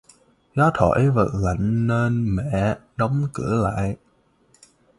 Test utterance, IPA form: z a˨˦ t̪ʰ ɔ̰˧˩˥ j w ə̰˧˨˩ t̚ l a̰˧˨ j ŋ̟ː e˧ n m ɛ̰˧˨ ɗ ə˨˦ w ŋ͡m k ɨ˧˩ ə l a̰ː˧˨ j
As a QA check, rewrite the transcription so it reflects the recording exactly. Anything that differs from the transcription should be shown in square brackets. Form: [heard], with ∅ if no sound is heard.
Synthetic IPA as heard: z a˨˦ t̪ʰ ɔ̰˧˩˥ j [v] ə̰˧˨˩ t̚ l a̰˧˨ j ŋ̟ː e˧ n m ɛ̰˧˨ ɗ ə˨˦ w ŋ͡m k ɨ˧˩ ə l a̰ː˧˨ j

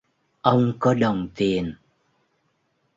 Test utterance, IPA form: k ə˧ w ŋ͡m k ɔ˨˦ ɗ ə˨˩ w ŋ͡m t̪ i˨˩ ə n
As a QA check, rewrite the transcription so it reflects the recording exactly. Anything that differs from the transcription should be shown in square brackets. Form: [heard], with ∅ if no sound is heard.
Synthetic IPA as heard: [ʔ] ə˧ w ŋ͡m k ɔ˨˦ ɗ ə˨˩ w ŋ͡m t̪ i˨˩ ə n

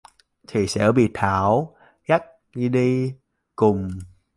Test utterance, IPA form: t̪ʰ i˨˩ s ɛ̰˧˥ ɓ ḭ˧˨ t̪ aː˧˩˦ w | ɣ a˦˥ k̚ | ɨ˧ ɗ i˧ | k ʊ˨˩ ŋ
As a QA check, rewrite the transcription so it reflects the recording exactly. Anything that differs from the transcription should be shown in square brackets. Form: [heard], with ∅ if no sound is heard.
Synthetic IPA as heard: t̪ʰ i˨˩ s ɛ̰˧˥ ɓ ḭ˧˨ [t̪ʰ] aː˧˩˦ w | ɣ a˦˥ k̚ | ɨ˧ ɗ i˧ | k ʊ˨˩ [ŋ͡m]

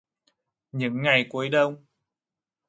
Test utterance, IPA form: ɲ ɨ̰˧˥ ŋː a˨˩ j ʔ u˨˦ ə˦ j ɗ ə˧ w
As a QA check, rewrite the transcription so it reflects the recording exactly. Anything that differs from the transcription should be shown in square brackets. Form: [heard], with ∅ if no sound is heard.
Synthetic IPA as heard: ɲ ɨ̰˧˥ ŋː a˨˩ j [k] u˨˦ ə˦ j ɗ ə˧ w

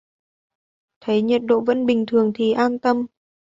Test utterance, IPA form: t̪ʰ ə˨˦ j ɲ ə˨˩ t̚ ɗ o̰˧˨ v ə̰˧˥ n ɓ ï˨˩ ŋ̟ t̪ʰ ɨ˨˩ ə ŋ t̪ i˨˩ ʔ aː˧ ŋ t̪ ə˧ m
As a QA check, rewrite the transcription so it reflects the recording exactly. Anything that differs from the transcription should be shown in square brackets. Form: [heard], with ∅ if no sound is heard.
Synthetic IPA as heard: t̪ʰ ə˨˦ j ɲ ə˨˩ t̚ ɗ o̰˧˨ v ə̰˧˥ n ɓ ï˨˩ ŋ̟ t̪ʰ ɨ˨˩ ə ŋ [t̪ʰ] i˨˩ ʔ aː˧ [n] t̪ ə˧ m

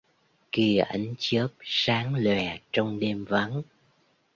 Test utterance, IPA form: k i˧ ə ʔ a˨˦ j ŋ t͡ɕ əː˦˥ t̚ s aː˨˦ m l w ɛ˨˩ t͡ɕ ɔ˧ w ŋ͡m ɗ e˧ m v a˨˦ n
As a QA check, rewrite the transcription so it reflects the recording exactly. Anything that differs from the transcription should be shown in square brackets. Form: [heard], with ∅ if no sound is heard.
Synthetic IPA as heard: k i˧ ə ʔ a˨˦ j ŋ t͡ɕ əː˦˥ [p̚] s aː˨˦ [ŋ] l w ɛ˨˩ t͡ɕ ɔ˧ w ŋ͡m ɗ e˧ m v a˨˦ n

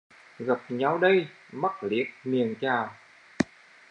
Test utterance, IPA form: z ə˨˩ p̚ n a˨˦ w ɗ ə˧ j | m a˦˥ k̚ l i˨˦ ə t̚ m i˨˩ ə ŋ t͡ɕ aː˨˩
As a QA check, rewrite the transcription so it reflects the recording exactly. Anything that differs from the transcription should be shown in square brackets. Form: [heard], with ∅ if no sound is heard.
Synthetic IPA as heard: [ɣ] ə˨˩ p̚ [ɲ] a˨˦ w ɗ ə˧ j | m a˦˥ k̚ l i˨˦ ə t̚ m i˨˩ ə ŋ t͡ɕ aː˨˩

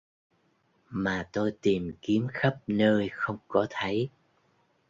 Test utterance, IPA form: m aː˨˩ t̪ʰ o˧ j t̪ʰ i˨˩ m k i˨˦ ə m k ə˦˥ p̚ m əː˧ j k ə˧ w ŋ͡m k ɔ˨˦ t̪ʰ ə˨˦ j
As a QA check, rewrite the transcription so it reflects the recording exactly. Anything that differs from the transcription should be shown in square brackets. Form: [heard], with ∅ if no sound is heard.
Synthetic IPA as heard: m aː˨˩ [t̪] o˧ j [t̪] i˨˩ m k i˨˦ ə m [x] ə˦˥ p̚ [n] əː˧ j [x] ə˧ w ŋ͡m k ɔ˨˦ t̪ʰ ə˨˦ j

